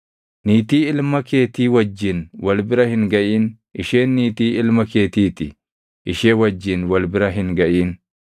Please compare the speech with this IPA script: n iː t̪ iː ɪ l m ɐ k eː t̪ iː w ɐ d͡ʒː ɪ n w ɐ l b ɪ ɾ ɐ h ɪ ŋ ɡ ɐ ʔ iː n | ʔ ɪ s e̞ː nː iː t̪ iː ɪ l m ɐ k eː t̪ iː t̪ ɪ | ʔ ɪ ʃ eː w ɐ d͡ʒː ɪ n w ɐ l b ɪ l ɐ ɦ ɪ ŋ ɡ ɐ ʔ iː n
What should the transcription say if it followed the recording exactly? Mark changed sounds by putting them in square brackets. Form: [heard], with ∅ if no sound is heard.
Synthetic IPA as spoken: n iː t̪ iː ɪ l m ɐ k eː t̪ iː w ɐ d͡ʒː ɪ n w ɐ l b ɪ ɾ ɐ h ɪ ŋ ɡ ɐ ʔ iː n | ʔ ɪ [ʃ] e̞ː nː iː t̪ iː ɪ l m ɐ k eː t̪ iː t̪ ɪ | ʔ ɪ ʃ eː w ɐ d͡ʒː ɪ n w ɐ l b ɪ [ɾ] ɐ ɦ ɪ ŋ ɡ ɐ ʔ iː n